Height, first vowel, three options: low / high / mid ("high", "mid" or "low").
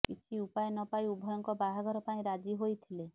high